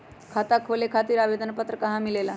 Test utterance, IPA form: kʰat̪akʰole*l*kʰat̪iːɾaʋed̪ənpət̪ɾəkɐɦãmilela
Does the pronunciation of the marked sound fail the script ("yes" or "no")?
yes